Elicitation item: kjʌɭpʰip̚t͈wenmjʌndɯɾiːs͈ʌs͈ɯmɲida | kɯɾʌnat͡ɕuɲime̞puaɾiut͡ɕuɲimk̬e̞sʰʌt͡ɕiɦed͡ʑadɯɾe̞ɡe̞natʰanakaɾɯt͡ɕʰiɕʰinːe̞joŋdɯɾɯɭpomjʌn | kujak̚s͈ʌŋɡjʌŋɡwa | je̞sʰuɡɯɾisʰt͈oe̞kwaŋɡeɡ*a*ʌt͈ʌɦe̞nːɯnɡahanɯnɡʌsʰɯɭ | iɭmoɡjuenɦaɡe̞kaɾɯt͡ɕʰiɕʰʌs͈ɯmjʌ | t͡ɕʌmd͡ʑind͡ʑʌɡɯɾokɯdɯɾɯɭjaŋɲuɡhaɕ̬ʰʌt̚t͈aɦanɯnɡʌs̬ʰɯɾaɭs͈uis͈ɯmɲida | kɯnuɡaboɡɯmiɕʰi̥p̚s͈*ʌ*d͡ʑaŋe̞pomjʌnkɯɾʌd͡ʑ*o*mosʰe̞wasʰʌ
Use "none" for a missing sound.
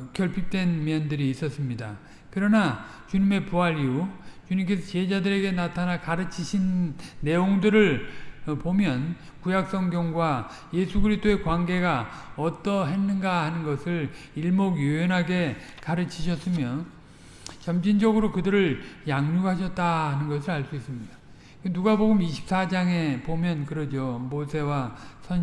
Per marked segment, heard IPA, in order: a, a, o

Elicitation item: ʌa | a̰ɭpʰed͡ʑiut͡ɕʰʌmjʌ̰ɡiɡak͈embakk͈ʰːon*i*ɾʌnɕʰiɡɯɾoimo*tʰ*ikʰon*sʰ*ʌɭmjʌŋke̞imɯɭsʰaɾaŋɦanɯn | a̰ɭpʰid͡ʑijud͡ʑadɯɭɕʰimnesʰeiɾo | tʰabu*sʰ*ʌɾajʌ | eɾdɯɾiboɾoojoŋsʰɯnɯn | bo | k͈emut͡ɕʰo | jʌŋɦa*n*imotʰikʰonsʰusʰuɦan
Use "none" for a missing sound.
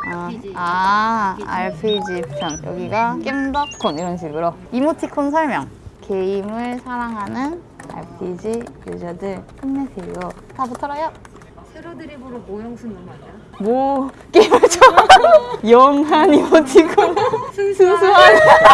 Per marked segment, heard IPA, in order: i, tʰ, sʰ, tʰ, n

